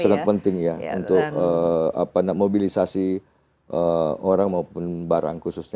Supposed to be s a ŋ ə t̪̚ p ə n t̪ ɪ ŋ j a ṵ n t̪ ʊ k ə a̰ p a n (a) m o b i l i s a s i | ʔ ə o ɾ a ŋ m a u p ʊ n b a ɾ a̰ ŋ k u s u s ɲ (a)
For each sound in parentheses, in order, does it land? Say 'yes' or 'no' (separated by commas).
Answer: yes, yes